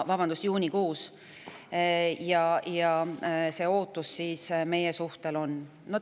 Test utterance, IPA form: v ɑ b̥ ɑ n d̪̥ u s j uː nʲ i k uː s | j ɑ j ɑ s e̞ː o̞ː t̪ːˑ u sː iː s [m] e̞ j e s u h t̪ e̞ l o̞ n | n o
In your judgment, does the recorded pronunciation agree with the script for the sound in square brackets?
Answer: yes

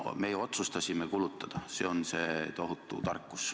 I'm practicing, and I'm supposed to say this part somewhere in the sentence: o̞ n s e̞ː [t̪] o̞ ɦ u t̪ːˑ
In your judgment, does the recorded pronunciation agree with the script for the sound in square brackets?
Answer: yes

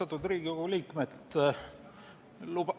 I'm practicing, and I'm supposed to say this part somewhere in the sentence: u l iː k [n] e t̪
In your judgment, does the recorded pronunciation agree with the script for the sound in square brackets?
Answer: no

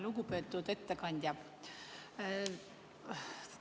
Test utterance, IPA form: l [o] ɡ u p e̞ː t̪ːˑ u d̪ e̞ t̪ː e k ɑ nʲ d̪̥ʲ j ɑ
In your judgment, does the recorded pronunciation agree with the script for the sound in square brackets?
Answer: no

